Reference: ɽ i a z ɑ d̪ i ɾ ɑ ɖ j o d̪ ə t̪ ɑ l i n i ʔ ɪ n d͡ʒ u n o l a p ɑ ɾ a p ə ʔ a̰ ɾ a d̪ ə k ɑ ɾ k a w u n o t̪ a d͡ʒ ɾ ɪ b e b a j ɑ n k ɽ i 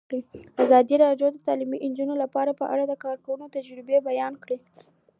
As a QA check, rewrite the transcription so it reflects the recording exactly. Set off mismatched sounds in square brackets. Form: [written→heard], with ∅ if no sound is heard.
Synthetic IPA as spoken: ɽ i a z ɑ d̪ i ɾ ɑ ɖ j o d̪ ə t̪ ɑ l i [n→m] i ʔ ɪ n d͡ʒ u n o l a p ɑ ɾ a p ə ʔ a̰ [ɾ→ɽ] a d̪ ə k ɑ ɾ k a w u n o t̪ a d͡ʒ ɾ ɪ b e b a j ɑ n k ɽ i